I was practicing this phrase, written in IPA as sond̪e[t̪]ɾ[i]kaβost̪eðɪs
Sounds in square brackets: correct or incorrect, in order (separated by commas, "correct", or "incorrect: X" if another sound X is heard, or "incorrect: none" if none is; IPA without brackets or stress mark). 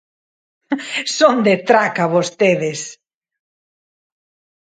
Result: correct, incorrect: a